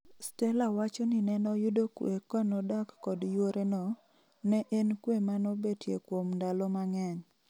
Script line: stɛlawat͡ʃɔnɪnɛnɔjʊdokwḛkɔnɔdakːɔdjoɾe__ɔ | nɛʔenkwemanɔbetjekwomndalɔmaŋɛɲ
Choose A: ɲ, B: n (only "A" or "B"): B